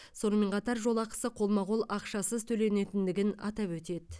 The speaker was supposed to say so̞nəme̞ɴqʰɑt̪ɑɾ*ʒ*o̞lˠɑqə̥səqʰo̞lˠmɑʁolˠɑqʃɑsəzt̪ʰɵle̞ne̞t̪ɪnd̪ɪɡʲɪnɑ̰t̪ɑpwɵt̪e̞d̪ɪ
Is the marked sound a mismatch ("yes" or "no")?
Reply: no